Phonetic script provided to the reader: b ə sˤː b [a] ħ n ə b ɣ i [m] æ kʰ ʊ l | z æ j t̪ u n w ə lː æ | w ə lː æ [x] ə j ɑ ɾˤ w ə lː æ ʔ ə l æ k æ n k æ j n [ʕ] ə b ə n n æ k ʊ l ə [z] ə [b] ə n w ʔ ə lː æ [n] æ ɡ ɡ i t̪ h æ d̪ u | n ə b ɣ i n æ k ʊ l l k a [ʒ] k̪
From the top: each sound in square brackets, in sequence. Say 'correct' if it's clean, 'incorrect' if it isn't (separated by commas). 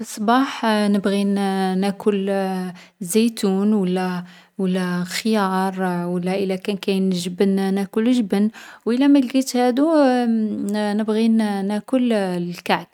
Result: incorrect, incorrect, correct, incorrect, incorrect, correct, incorrect, incorrect